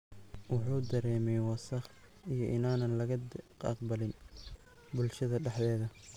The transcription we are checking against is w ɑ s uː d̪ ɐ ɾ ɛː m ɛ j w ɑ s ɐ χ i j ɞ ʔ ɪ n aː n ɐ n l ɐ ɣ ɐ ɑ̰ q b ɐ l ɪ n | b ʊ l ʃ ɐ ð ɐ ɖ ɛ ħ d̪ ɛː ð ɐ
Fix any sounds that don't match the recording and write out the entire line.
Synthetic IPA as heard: w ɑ ħ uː d̪ ɐ ɾ ɛː m ɛ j w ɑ s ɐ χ i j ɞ ʔ ɪ n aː n ɐ n l ɐ ɣ ɐ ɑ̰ q b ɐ l ɪ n | b ʊ l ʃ ɐ ð ɐ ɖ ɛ ħ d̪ ɛː ð ɐ